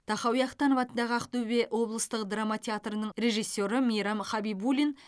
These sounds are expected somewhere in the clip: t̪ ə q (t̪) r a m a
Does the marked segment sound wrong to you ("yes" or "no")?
yes